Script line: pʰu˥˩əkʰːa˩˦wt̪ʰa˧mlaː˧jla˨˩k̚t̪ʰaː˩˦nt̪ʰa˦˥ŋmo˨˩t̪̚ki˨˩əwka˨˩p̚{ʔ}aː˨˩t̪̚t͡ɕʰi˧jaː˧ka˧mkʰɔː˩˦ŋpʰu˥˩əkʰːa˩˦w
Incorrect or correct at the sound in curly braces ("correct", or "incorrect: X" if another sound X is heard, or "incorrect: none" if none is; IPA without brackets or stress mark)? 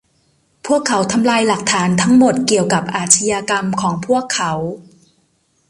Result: correct